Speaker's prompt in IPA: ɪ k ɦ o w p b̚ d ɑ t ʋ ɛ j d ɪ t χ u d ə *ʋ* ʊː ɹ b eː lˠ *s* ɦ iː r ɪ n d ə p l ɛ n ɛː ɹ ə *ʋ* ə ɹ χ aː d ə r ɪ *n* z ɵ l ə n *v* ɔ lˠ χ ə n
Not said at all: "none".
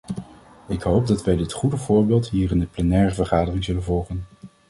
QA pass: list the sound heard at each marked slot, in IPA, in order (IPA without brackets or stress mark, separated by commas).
v, t, v, ŋ, v